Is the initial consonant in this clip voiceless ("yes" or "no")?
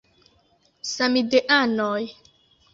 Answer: yes